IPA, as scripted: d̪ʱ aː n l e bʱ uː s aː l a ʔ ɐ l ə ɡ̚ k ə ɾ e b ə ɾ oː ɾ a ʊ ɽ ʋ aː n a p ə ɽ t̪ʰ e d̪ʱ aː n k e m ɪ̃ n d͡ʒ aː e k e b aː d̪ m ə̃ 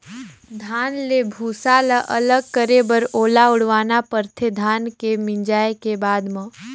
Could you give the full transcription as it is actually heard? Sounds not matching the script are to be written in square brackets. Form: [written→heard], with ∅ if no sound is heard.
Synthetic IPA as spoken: d̪ʱ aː n l e bʱ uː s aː l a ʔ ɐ l ə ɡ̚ k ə ɾ e b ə ɾ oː [ɾ→l] a ʊ ɽ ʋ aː n a p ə [ɽ→ɾ] t̪ʰ e d̪ʱ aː n k e m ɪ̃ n d͡ʒ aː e k e b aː d̪ m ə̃